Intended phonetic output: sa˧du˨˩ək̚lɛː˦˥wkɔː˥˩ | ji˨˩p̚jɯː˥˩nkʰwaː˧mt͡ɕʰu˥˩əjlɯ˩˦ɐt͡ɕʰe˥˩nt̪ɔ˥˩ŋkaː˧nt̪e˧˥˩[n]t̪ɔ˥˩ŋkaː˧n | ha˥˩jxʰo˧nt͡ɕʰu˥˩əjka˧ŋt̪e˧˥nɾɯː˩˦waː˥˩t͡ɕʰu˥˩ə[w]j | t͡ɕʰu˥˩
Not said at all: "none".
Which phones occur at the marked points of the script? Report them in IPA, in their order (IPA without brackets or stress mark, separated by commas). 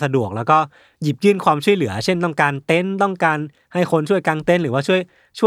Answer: n, none